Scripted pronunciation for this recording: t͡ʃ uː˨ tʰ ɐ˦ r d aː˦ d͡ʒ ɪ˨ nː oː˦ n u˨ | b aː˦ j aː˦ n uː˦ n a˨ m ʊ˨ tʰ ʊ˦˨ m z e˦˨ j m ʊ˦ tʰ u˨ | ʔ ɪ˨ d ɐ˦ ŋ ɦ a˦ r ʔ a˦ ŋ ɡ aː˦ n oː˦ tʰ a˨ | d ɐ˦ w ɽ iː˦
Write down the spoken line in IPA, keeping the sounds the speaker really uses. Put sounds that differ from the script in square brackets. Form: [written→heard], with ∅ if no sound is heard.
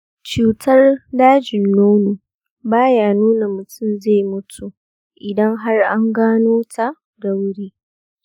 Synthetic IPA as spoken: t͡ʃ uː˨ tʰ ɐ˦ r d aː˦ d͡ʒ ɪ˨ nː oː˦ n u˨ | b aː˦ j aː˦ n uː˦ n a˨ m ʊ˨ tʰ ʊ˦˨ m z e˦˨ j m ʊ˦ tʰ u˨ | ʔ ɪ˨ d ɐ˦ ŋ ɦ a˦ r ʔ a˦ ŋ ɡ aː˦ n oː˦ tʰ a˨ | d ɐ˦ w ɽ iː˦